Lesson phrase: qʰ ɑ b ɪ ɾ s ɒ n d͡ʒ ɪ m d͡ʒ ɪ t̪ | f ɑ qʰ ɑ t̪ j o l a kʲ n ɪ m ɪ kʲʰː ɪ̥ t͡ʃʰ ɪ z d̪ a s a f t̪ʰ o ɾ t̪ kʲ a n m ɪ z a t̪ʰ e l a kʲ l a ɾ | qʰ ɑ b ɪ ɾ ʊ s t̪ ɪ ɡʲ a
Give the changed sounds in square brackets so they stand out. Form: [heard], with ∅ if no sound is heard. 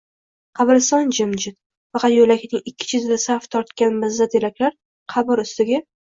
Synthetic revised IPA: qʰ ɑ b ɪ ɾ s ɒ n d͡ʒ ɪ m d͡ʒ ɪ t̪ | f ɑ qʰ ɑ t̪ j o l a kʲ n ɪ [ŋ] ɪ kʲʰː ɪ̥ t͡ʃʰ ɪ z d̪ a s a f t̪ʰ [ɒ] ɾ t̪ kʲ a n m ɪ z a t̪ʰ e l a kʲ l a ɾ | qʰ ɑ b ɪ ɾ ʊ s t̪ ɪ ɡʲ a